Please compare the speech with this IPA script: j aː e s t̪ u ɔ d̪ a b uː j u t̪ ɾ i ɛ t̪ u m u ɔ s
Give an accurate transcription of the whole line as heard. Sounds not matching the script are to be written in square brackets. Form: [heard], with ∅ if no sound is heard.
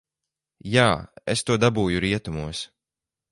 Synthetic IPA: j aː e s t̪ u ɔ d̪ a b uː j u [∅] ɾ i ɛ t̪ u m u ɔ s